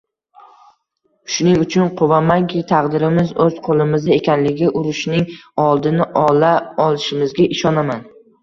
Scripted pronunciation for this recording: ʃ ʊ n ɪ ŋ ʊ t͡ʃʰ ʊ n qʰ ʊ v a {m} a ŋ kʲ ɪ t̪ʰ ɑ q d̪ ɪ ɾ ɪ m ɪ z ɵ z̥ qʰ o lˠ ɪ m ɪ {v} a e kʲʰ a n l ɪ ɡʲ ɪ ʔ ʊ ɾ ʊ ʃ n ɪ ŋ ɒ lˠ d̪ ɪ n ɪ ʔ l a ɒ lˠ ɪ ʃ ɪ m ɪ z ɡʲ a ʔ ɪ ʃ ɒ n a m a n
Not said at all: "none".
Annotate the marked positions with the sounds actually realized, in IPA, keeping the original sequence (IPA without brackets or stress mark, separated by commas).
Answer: m, z